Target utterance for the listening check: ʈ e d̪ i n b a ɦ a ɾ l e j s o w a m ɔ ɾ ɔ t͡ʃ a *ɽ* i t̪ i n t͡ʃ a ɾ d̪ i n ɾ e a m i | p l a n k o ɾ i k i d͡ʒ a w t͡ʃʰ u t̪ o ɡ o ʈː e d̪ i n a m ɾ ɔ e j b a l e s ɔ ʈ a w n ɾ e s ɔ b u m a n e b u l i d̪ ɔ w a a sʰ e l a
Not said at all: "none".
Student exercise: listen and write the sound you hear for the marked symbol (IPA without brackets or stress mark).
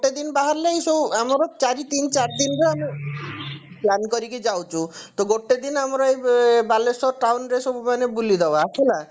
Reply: ɾ